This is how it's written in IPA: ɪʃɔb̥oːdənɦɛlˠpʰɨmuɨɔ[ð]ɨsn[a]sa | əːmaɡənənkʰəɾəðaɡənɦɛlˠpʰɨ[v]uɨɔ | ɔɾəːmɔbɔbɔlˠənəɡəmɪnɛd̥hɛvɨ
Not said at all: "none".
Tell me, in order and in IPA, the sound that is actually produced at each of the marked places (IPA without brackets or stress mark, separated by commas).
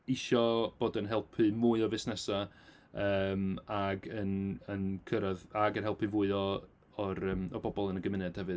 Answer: v, ɛ, v